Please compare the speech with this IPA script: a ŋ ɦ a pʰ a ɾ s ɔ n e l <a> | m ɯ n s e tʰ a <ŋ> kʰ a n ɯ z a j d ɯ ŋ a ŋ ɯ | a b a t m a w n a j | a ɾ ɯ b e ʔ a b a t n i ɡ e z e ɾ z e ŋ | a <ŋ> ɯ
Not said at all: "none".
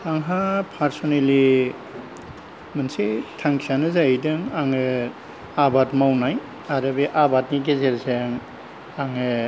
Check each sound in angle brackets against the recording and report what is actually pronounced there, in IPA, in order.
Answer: i, ŋ, ŋ

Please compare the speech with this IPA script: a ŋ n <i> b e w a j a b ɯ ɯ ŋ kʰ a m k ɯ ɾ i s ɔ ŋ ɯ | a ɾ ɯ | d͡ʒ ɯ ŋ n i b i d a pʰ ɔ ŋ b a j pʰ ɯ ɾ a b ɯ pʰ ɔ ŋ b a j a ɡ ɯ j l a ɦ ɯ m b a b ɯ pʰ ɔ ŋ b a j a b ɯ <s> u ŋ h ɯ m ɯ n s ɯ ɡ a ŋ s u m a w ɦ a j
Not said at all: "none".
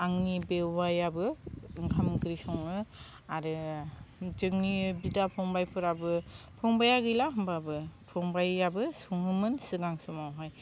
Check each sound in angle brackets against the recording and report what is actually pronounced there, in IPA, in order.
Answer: i, s

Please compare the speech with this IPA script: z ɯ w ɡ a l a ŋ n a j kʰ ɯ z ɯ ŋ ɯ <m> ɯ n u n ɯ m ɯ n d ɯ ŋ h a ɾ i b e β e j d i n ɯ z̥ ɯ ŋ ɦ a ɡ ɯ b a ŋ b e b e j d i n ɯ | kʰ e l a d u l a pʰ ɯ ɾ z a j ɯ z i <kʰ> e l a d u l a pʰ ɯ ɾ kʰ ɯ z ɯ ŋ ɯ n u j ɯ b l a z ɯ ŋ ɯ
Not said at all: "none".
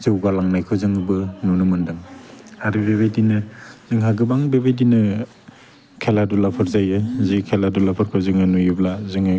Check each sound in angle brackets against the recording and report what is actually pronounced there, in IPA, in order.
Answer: b, kʰ

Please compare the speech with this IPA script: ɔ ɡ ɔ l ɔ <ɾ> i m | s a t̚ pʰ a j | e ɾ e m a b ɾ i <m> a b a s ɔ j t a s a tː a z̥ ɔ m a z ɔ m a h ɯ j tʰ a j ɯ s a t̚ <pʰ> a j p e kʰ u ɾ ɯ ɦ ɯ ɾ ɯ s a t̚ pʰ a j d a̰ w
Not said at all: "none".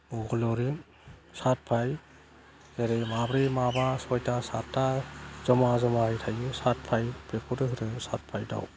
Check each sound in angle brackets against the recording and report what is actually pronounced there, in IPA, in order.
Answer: ɾ, m, pʰ

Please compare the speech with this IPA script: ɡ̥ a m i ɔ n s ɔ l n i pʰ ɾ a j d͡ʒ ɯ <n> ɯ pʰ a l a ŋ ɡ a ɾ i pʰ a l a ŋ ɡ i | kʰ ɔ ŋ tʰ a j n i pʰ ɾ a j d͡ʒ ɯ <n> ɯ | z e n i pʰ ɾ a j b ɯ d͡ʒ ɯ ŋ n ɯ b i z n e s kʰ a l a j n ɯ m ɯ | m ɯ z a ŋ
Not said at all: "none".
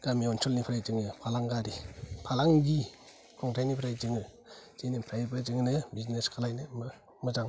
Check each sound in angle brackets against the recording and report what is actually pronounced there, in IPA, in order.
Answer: ŋ, ŋ

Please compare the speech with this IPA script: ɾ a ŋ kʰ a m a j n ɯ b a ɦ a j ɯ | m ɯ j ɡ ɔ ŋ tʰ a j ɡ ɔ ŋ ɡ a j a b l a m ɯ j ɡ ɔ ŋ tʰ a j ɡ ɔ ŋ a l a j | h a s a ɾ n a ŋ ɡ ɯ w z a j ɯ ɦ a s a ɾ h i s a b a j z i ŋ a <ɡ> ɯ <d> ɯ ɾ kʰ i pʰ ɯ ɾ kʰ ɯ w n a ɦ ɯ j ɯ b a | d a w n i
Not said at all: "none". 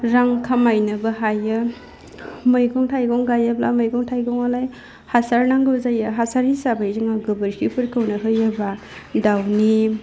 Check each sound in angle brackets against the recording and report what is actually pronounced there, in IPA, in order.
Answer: ɡ, b

